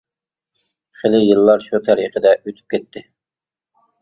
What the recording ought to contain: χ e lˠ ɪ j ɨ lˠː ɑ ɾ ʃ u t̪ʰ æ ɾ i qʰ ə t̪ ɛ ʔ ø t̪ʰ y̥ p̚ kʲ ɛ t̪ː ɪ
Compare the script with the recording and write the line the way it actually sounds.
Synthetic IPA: χ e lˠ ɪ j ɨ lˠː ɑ ɾ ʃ u t̪ʰ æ ɾ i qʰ ə d̪ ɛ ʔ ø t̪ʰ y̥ p̚ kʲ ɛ t̪ː ɪ